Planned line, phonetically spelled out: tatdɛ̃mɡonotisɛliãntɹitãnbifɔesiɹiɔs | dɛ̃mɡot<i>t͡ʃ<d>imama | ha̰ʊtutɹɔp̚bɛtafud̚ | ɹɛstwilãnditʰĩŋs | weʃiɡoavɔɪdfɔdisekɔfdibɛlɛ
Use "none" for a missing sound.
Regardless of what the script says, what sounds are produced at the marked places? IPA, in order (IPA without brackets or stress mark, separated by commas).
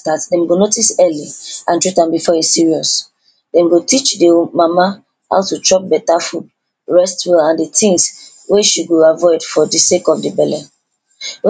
i, d